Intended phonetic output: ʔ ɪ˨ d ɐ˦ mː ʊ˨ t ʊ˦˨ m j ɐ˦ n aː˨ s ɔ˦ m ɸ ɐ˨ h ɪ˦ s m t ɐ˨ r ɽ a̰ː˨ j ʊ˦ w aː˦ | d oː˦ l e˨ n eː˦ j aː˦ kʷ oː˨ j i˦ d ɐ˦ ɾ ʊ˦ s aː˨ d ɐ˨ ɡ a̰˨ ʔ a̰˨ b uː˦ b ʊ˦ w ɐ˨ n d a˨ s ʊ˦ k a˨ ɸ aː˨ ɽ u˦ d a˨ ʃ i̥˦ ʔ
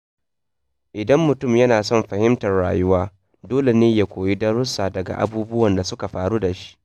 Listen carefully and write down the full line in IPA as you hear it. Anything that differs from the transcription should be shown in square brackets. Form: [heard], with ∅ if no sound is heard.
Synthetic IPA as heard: ʔ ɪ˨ d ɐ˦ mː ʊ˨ t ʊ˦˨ m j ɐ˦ n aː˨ s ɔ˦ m ɸ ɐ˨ h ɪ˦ [∅] m t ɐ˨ r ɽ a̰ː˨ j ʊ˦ w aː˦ | d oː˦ l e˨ n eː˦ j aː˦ kʷ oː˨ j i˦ d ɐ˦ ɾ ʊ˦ s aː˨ d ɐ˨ ɡ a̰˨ ʔ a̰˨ b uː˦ b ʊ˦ w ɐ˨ n d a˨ s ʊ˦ k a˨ ɸ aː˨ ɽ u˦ d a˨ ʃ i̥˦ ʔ